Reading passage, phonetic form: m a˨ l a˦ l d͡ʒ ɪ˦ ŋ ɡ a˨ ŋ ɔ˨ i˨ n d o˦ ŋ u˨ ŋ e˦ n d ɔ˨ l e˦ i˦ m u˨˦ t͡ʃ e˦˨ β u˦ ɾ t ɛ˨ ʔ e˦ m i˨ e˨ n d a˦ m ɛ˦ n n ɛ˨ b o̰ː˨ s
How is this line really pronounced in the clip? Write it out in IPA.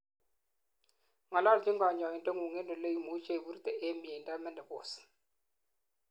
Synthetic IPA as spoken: ŋ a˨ l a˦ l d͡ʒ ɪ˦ ŋ ɡ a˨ ɲ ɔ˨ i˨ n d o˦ ŋ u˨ ŋ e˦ n d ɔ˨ l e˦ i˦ m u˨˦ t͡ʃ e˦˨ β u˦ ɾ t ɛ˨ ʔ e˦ m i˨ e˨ n d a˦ m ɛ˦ n d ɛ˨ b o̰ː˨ s